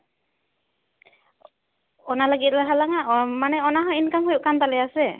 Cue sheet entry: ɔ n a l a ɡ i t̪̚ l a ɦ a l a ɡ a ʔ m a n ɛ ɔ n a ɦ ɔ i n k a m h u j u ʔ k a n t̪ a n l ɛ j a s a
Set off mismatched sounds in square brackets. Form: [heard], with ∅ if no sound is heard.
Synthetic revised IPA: ɔ n a l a ɡ i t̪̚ l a ɦ a l a [ŋ] a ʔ m a n ɛ ɔ n a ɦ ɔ i n k a m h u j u ʔ k a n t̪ a [∅] l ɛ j a s [ɛ]

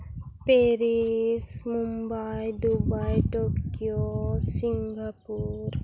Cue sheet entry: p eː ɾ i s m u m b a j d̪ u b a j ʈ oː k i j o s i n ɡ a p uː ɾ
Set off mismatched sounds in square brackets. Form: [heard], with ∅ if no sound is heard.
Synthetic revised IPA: p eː ɾ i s m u m b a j d̪ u b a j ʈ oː k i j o s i [ŋ] ɡ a p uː ɾ

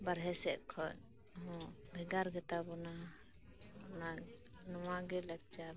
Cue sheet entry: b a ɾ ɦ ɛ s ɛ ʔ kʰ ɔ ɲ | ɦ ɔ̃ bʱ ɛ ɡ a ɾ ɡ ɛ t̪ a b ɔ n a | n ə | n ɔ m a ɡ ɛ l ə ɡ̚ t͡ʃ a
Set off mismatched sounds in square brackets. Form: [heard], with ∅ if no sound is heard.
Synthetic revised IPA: b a ɾ ɦ ɛ s ɛ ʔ kʰ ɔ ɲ | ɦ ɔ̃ bʱ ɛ ɡ a ɾ ɡ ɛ t̪ a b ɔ n a | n [a] | n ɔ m a ɡ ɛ l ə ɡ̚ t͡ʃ a

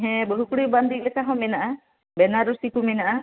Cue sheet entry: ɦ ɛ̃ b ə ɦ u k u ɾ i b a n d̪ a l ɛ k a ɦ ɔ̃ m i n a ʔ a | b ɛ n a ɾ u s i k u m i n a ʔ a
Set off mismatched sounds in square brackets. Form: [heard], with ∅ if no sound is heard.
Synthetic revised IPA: ɦ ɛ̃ b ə ɦ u k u [ɽ] i b a n d̪ [i] l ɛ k a ɦ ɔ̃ m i n a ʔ a | b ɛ n a ɾ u s i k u m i n a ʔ a

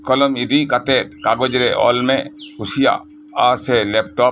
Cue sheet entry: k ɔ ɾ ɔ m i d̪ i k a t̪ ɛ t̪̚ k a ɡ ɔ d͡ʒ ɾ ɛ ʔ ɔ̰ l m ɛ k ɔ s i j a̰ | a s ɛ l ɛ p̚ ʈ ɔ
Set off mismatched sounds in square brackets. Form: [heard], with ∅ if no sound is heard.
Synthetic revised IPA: k ɔ [l] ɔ m i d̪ i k a t̪ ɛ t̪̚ k a ɡ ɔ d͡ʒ ɾ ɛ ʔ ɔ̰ l m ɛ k [u] s i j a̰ | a s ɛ l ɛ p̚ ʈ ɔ

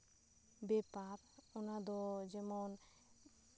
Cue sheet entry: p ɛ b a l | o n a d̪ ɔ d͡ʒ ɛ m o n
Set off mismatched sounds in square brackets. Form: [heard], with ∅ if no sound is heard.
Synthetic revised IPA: [b] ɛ [p] a [ɾ] | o n a d̪ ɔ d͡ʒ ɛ m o n

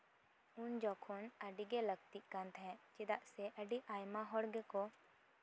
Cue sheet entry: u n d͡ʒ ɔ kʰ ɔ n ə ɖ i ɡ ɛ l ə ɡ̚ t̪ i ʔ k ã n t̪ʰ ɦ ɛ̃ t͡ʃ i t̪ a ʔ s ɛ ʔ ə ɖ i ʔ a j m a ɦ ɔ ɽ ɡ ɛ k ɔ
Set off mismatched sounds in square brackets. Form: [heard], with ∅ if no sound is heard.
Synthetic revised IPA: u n d͡ʒ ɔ kʰ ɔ n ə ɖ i ɡ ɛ l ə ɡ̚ t̪ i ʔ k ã n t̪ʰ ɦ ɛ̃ t͡ʃ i [d̪] a ʔ s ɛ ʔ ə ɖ i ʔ a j m a ɦ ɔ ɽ ɡ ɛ k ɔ

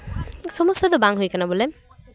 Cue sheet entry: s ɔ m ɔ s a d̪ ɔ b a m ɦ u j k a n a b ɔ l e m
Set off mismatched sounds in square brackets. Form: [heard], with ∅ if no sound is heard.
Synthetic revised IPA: s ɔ m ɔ s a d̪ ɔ b a [ŋ] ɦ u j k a n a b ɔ l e m

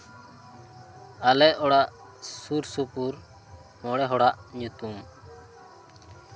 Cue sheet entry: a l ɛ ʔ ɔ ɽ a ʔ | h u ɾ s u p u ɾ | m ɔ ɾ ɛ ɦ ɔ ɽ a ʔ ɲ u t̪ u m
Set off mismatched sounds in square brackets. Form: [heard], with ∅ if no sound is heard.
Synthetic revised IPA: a l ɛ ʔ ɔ ɽ a ʔ | [s] u ɾ s u p u ɾ | m ɔ [ɽ] ɛ ɦ ɔ ɽ a ʔ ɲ u t̪ u m

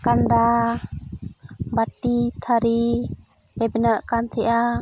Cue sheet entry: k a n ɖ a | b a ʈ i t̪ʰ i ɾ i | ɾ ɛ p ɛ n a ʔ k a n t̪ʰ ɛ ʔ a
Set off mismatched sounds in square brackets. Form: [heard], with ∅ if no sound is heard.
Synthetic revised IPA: k a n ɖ a | b a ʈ i t̪ʰ [a] ɾ i | [l] ɛ [b] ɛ n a ʔ k a n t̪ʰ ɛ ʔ a

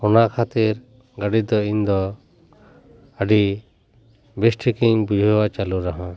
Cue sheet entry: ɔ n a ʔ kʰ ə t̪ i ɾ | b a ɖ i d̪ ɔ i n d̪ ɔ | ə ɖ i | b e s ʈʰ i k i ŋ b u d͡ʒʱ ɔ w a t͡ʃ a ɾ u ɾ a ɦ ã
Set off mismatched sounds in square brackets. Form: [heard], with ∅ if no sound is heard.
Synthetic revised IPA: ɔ n a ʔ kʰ [a] t̪ i ɾ | [ɡ] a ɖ i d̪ ɔ i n d̪ ɔ | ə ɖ i | b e s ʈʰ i k i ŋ b u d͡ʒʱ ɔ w a t͡ʃ a [l] u ɾ a ɦ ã

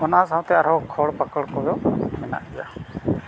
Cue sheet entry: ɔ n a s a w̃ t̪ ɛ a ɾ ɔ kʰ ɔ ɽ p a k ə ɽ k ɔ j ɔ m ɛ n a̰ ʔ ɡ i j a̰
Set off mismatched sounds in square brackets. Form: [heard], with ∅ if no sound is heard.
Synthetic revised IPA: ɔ n a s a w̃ t̪ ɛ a ɾ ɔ kʰ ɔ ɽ p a k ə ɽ k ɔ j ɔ m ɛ n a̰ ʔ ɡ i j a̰

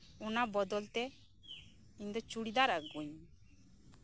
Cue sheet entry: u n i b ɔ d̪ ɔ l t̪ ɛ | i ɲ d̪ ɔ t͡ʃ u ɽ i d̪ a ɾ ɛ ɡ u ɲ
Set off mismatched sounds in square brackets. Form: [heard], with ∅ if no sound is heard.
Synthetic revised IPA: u n [a] b ɔ d̪ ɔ l t̪ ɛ | i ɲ d̪ ɔ t͡ʃ u ɽ i d̪ a ɾ [a] ɡ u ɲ

